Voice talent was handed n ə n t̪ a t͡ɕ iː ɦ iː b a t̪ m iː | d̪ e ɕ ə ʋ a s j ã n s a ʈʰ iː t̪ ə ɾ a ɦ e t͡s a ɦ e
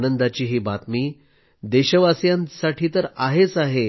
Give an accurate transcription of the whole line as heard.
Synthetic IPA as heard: n ə n d̪ a t͡ɕ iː ɦ iː b a t̪ m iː | d̪ e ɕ ə ʋ a s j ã n s a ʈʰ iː t̪ ə ɾ a ɦ e t͡s a ɦ e